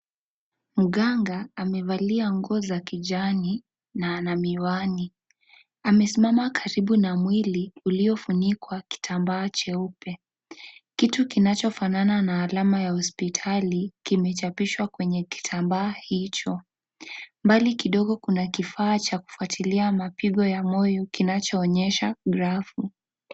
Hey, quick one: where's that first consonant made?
lips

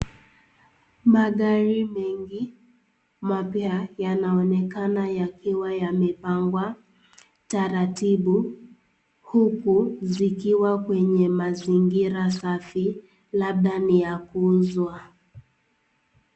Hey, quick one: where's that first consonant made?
lips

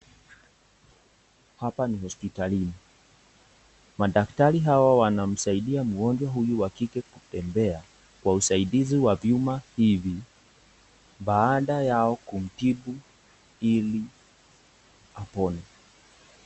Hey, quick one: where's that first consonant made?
throat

